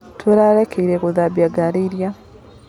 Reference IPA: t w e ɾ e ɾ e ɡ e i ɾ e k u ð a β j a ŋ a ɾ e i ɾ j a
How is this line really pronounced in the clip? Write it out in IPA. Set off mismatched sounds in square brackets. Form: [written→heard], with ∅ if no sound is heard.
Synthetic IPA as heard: t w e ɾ [e→a] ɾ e [ɡ→k] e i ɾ e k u ð a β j a [ŋ→ɡ] a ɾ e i ɾ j a